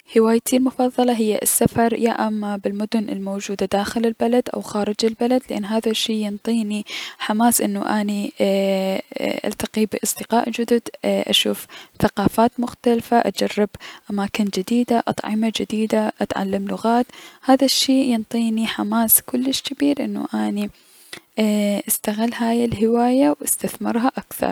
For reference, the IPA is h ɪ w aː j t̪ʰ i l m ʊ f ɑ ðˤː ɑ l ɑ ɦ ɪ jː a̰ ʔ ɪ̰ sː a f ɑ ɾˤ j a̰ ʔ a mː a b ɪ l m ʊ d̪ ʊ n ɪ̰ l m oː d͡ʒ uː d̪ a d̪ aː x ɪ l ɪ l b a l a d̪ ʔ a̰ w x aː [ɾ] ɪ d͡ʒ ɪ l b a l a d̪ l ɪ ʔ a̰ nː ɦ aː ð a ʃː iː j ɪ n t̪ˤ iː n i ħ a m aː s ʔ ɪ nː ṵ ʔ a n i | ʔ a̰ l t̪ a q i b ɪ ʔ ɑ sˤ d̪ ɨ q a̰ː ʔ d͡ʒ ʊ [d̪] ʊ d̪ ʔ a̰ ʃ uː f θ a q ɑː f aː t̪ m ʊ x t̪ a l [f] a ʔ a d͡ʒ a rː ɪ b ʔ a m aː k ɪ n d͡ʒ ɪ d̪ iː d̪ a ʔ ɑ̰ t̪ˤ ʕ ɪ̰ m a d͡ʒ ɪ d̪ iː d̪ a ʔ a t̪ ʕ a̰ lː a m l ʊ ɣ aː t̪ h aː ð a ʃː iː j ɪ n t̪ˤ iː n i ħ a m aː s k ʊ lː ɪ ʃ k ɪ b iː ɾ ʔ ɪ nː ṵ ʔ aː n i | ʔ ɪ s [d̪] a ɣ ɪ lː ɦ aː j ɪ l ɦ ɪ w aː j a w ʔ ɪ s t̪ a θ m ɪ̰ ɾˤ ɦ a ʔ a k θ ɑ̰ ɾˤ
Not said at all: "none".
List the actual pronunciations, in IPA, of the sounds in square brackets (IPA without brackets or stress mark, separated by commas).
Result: ɾ, d̪, f, t̪